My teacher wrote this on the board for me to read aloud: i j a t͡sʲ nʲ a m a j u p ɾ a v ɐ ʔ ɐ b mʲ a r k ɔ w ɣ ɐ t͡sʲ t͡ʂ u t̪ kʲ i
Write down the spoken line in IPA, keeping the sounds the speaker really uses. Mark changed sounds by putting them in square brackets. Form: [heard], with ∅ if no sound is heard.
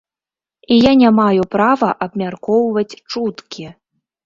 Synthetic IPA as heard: i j a [∅] nʲ a m a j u p ɾ a v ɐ ʔ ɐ b mʲ a r k ɔ w [v] ɐ t͡sʲ t͡ʂ u t̪ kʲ i

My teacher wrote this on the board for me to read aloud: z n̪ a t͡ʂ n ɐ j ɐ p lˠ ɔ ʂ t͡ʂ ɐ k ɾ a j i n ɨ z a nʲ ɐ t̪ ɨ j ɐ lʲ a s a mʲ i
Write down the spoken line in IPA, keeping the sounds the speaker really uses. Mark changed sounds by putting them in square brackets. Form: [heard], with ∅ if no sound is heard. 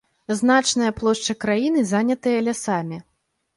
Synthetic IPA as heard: z n̪ a t͡ʂ n ɐ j ɐ p lˠ ɔ ʂ t͡ʂ ɐ k ɾ a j i n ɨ z a nʲ ɐ t̪ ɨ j ɐ lʲ a s a mʲ i

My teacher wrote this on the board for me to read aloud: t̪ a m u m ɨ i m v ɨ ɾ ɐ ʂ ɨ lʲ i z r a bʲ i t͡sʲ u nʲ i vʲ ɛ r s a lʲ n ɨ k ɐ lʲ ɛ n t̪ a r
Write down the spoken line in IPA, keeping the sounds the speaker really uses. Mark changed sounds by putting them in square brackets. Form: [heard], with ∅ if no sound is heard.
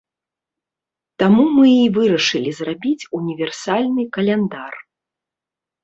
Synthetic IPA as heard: t̪ a m u m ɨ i [∅] v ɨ ɾ ɐ ʂ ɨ lʲ i z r a bʲ i t͡sʲ u nʲ i vʲ ɛ r s a lʲ n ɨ k ɐ lʲ ɛ n [d̪] a r

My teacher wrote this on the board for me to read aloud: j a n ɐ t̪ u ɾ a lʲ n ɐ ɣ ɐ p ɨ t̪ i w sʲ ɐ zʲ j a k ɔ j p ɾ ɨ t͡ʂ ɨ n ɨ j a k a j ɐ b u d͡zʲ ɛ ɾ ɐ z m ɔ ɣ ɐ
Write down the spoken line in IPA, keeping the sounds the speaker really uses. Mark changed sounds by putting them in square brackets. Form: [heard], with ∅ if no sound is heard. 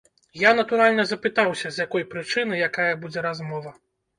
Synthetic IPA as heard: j a n ɐ t̪ u ɾ a lʲ n ɐ [z] ɐ p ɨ t̪ [a] w sʲ ɐ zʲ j a k ɔ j p ɾ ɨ t͡ʂ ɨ n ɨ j a k a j ɐ b u d͡zʲ ɛ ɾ [a] z m ɔ [v] ɐ

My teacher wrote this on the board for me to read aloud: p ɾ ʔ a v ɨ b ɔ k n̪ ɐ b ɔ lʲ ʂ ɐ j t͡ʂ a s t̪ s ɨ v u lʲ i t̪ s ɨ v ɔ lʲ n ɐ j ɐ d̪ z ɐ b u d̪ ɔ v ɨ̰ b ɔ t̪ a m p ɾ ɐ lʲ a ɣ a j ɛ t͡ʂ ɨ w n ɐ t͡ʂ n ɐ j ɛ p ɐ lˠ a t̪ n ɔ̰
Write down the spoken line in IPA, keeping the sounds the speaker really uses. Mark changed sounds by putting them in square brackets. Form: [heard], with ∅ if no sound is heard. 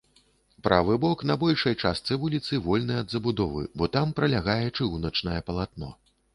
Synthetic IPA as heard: p ɾ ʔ a v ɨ b ɔ k n̪ ɐ b ɔ lʲ ʂ ɐ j t͡ʂ a s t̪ s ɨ v u lʲ i t̪ s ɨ v ɔ lʲ n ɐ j ɐ d̪ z ɐ b u d̪ ɔ v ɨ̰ b ɔ t̪ a m p ɾ ɐ lʲ a ɣ a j ɛ t͡ʂ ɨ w n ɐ t͡ʂ n ɐ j ɛ p ɐ lˠ a t̪ n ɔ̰

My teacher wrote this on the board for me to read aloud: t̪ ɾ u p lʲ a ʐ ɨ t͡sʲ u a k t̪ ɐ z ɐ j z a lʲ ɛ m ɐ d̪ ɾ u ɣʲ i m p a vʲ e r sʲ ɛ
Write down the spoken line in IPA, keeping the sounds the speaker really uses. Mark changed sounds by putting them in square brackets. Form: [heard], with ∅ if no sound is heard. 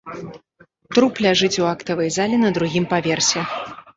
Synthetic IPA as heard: t̪ ɾ u p lʲ a ʐ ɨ t͡sʲ u a k t̪ ɐ [v] ɐ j z a lʲ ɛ [n] ɐ d̪ ɾ u ɣʲ i m p a vʲ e r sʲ ɛ

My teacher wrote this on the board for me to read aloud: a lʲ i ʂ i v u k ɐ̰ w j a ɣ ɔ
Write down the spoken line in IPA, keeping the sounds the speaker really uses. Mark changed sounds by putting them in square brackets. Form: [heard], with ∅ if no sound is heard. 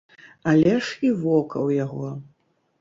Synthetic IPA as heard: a lʲ [ɛ] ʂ i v [ɔ] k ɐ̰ w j a ɣ ɔ

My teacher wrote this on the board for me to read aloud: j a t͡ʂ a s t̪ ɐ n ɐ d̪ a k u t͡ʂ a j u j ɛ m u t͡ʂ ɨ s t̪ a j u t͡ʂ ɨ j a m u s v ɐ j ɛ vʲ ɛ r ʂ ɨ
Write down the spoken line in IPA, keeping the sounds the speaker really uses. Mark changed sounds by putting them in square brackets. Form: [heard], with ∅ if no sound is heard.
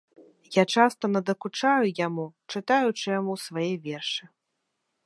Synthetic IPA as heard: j a t͡ʂ a s t̪ ɐ n ɐ d̪ [ɐ] k u t͡ʂ a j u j [a] m u t͡ʂ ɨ [∅] t̪ a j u t͡ʂ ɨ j a m u s v [a] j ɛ vʲ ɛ r ʂ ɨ

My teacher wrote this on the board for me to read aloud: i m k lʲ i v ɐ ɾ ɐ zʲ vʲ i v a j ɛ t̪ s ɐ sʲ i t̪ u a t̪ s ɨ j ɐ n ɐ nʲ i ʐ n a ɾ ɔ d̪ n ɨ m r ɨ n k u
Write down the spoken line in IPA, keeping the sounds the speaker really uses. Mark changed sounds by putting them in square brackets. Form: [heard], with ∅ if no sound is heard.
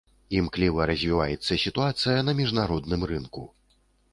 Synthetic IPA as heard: i m k lʲ i v ɐ ɾ ɐ zʲ vʲ i v a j ɛ t̪ [sː] ɐ sʲ i t̪ u a t̪ s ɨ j ɐ n ɐ [mʲ] i ʐ n a ɾ ɔ d̪ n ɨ m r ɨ n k u

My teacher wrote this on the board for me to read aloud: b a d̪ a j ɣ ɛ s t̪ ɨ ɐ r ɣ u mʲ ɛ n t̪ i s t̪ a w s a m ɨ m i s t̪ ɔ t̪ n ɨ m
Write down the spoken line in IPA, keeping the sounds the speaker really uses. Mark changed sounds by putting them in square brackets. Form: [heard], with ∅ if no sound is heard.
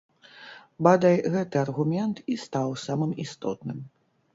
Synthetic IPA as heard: b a d̪ a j ɣ ɛ [∅] t̪ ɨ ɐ r ɣ u mʲ ɛ n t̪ i s t̪ a w s a m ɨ m i s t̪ ɔ t̪ n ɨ m

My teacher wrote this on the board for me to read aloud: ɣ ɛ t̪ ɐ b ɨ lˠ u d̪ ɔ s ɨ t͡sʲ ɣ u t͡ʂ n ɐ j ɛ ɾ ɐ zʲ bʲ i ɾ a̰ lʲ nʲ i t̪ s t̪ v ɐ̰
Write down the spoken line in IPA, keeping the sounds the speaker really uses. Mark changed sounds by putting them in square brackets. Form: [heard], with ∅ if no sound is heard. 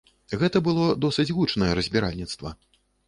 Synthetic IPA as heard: ɣ ɛ t̪ ɐ b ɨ lˠ [ɔ] d̪ ɔ s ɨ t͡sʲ ɣ u t͡ʂ n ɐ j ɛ ɾ ɐ zʲ bʲ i ɾ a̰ lʲ nʲ i t̪ s t̪ v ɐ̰

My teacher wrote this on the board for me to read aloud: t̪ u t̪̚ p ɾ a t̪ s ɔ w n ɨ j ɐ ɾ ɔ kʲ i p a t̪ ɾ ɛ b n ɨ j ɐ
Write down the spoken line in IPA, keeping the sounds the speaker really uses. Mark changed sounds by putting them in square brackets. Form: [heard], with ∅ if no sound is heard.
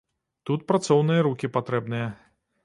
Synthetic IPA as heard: t̪ u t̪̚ p ɾ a t̪ s ɔ w n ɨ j ɐ ɾ [u] kʲ i p a t̪ ɾ ɛ b n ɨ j ɐ

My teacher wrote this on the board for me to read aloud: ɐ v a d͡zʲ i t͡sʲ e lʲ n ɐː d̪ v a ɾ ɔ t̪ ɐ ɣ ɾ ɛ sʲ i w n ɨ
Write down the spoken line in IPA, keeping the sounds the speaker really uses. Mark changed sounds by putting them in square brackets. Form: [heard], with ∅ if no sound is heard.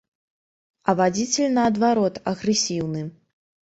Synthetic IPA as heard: ɐ v a d͡zʲ i t͡sʲ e lʲ n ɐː d̪ v a ɾ ɔ t̪ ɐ ɣ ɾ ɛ sʲ i w n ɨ

